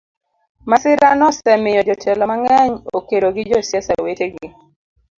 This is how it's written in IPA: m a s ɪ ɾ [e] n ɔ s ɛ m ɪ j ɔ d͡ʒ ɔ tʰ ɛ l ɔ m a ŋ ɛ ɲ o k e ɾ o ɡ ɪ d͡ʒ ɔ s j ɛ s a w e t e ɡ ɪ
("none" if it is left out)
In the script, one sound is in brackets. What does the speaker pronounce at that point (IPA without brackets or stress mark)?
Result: a